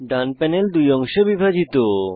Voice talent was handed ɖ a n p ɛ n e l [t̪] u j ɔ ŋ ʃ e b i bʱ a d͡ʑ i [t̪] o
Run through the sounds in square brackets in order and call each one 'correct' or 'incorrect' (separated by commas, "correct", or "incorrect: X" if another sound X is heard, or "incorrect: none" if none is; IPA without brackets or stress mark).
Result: incorrect: d̪, correct